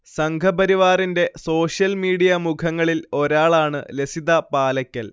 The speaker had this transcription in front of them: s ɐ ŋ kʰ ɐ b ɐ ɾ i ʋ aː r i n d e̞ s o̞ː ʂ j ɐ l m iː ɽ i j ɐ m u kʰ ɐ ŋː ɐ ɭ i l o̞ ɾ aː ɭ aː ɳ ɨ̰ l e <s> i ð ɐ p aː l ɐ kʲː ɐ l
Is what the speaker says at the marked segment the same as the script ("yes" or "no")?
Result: yes